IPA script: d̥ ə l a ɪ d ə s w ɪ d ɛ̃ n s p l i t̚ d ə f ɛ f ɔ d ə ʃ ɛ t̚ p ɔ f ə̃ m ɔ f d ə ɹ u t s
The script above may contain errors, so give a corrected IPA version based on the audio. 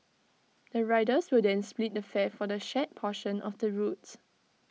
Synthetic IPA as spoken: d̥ ə ɹ a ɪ d ə s w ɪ d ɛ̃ n s p l i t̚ d ə f ɛ f ɔ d ə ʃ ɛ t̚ pʰ ɔ ʃ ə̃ n ɔ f d ə ɹ u t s